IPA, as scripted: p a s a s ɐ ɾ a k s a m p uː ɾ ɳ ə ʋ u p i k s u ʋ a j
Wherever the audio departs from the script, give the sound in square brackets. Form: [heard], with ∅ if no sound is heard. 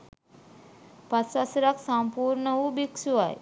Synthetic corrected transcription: p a s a s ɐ ɾ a k s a m p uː ɾ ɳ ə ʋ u [b] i k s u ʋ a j